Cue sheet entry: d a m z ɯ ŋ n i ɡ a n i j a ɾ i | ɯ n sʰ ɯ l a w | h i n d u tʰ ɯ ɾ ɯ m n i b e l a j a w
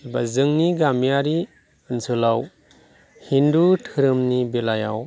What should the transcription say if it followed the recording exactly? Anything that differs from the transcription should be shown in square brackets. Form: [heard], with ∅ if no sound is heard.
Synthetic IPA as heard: [b] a [∅] z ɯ ŋ n i ɡ a [m] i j a ɾ i | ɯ n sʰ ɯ l a w | h i n d u tʰ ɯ ɾ ɯ m n i b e l a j a w